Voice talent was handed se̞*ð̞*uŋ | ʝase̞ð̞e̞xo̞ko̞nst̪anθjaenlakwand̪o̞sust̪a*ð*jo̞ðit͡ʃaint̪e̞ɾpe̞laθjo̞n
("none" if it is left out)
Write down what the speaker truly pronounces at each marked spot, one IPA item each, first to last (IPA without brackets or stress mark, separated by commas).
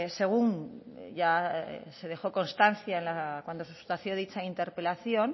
ɣ̞, θ